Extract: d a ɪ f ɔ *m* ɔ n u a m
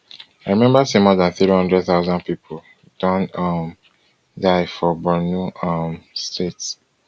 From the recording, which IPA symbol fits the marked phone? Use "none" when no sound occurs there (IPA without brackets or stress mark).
b